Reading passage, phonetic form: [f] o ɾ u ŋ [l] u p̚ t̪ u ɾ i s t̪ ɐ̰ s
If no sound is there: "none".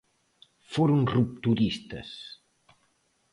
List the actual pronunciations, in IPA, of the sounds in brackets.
f, r

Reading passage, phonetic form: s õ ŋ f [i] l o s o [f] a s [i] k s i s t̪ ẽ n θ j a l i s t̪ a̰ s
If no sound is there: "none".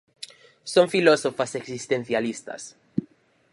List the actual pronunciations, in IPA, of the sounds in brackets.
i, f, e

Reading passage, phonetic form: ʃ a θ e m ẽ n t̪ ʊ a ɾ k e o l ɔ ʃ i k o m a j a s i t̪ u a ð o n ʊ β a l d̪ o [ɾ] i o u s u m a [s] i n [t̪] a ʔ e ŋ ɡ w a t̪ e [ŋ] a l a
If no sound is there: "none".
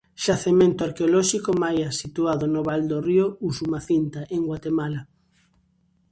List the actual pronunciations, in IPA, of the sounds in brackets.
r, θ, t̪, m

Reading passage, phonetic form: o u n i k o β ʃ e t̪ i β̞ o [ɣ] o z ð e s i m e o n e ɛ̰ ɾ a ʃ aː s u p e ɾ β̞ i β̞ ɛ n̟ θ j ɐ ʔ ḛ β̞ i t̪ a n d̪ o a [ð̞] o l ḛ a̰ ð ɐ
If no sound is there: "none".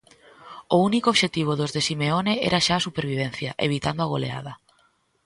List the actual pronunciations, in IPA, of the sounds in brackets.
ð, ɣ̞

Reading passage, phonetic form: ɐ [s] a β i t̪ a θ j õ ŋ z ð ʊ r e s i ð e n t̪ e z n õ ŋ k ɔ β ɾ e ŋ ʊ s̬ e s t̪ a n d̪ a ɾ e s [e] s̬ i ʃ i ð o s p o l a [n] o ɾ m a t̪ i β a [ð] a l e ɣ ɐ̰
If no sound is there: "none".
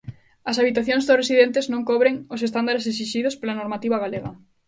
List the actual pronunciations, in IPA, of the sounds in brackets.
s, e, n, ɣ

